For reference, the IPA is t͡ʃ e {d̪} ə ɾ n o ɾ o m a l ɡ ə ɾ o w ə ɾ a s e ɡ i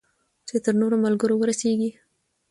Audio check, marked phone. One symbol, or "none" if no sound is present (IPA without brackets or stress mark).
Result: t̪